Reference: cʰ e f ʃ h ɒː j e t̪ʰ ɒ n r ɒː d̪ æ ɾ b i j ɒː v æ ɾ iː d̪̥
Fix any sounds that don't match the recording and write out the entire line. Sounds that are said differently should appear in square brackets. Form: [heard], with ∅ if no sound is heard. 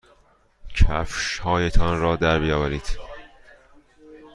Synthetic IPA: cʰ [æ] f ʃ h ɒː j e t̪ʰ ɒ n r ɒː d̪ æ ɾ b i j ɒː v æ ɾ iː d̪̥